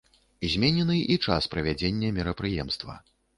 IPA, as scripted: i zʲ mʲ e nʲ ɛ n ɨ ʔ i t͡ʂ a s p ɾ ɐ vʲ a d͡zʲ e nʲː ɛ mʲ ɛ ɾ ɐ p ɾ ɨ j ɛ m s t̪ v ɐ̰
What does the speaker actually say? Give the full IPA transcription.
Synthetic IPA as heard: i zʲ mʲ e nʲ ɛ n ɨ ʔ i t͡ʂ a s p ɾ ɐ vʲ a d͡zʲ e nʲː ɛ mʲ ɛ ɾ ɐ p ɾ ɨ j ɛ m s t̪ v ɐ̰